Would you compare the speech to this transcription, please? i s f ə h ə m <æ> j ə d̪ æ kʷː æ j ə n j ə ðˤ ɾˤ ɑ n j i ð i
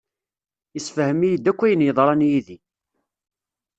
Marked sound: incorrect: i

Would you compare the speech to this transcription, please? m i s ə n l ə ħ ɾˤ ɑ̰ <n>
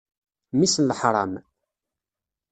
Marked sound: incorrect: m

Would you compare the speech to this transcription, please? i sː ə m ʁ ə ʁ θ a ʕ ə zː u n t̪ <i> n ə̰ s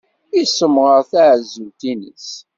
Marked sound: correct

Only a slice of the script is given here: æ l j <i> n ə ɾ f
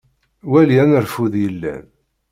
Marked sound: incorrect: æ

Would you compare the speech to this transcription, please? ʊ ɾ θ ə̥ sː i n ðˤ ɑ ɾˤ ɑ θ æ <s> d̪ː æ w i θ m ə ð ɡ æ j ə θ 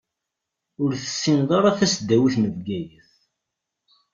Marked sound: correct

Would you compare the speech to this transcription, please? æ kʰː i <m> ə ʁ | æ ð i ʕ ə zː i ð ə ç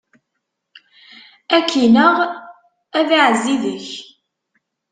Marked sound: incorrect: n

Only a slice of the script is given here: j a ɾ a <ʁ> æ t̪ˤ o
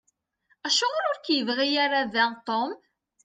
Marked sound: incorrect: ð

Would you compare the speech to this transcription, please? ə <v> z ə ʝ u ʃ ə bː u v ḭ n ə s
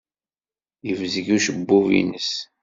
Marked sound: correct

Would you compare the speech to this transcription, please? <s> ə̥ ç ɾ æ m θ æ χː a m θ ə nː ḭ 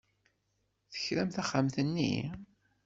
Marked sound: incorrect: θ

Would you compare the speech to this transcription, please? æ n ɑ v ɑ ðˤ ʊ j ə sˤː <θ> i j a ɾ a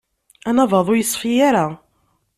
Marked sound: incorrect: f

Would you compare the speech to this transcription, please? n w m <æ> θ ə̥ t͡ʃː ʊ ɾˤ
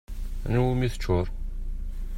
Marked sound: incorrect: i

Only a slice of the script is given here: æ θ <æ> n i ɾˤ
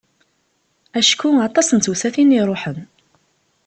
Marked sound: incorrect: i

